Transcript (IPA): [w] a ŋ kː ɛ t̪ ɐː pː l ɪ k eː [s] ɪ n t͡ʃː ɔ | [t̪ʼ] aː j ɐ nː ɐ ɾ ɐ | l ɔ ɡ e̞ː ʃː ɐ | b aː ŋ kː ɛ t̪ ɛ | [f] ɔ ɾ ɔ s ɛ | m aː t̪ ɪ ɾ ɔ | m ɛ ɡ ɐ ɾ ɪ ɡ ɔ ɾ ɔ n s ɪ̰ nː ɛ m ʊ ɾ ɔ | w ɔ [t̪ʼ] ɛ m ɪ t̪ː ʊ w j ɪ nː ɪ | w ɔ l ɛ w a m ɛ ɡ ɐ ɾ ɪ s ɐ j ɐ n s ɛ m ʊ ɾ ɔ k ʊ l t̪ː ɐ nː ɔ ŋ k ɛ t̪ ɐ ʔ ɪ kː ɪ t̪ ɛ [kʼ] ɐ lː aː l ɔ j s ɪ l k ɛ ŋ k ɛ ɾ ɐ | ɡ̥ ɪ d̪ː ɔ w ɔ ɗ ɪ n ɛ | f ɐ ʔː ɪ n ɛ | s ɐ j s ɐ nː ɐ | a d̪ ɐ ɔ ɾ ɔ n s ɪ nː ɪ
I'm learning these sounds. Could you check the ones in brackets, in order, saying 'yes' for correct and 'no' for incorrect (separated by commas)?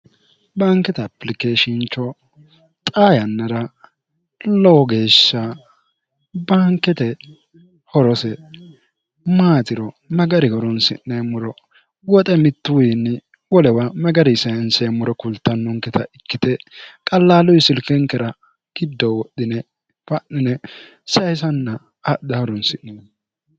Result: no, no, yes, no, yes, yes